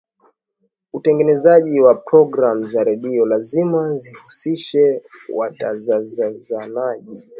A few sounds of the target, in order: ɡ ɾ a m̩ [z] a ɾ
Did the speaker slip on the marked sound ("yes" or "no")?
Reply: no